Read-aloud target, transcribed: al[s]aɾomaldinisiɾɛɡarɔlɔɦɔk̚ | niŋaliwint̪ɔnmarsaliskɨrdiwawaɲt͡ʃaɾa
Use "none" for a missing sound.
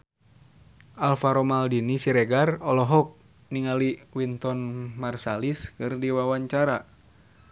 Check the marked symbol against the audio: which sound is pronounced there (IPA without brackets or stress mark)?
f